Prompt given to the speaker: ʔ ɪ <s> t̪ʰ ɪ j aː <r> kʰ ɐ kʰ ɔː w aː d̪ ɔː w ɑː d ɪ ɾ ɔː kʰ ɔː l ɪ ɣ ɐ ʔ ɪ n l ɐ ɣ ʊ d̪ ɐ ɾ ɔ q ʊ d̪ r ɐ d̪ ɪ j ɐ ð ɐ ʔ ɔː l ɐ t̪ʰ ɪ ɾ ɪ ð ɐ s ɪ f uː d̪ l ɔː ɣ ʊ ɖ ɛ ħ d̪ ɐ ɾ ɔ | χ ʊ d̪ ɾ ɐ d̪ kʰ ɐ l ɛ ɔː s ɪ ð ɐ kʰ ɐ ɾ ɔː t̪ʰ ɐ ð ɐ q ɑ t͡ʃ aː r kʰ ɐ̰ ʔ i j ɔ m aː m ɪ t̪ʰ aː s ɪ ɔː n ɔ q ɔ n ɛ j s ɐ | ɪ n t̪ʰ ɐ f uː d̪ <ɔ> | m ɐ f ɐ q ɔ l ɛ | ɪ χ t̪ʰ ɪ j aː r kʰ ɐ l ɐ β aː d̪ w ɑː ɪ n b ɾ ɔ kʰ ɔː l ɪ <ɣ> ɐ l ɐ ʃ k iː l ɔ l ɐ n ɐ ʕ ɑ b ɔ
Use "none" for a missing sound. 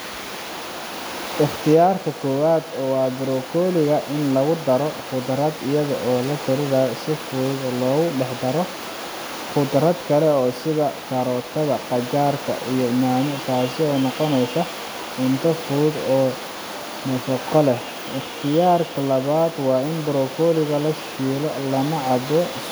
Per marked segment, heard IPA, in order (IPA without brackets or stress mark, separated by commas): χ, r, ɔː, ɣ